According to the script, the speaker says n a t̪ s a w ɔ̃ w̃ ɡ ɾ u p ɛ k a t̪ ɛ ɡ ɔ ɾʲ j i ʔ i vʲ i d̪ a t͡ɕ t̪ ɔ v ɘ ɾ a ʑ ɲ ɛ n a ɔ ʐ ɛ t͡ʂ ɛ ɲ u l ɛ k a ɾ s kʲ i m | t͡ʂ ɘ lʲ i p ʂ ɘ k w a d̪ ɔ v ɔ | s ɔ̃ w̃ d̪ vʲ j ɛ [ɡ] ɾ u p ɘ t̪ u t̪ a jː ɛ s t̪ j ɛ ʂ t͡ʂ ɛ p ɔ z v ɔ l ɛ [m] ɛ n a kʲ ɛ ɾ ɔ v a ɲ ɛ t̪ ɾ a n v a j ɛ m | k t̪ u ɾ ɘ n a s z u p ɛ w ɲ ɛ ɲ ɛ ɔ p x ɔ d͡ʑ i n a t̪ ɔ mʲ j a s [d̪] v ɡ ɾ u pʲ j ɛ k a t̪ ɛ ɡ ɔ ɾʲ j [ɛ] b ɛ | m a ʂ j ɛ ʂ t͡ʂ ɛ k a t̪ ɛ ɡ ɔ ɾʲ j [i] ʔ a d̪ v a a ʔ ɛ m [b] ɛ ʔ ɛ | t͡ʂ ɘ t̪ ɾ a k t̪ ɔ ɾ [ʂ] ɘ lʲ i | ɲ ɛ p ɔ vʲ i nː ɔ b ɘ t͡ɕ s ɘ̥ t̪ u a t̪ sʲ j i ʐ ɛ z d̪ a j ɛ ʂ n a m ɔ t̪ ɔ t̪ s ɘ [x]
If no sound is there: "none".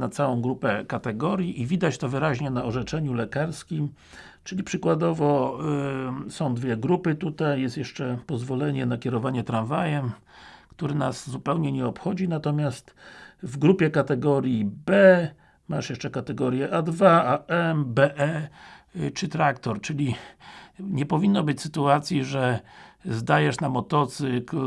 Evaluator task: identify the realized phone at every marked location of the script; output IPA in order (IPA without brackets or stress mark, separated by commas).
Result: ɡ, ɲ, t̪, i, ɛ, b, t͡ʂ, k